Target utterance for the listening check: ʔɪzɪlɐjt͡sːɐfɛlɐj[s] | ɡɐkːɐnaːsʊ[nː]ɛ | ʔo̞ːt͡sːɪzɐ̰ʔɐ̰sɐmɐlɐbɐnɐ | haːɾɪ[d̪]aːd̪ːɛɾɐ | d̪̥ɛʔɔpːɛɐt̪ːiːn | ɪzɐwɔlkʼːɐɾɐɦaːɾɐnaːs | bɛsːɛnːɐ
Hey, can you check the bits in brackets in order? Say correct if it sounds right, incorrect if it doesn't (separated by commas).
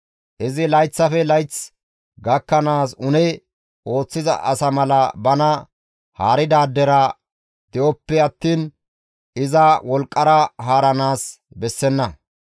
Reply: incorrect, incorrect, correct